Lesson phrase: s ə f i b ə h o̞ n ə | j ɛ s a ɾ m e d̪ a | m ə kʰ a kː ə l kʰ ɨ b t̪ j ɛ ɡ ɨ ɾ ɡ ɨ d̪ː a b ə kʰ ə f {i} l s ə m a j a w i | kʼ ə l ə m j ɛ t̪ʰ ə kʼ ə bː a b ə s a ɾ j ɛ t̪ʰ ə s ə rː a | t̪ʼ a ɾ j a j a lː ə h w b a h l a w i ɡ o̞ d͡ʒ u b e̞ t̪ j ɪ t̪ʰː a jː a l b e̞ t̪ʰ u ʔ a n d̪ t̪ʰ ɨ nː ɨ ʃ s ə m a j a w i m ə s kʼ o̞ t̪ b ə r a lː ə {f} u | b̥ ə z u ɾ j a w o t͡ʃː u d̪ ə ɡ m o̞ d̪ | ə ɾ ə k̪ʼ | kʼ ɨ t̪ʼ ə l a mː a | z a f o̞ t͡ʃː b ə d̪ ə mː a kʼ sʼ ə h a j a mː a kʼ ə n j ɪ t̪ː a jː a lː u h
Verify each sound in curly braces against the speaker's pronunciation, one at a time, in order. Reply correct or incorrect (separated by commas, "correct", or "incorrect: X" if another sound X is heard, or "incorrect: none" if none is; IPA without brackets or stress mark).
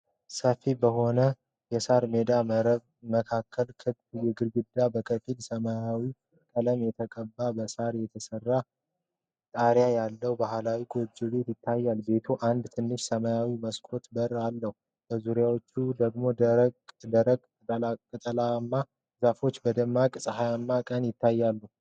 correct, incorrect: h